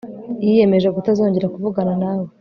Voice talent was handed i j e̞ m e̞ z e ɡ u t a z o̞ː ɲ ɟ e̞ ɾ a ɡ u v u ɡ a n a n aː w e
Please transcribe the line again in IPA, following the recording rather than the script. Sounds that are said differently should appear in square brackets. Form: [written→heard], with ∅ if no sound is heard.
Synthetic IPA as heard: i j e̞ m e̞ [z→ʒ] e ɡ u t a z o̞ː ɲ ɟ e̞ ɾ a [ɡ→k] u v u ɡ a n a n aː w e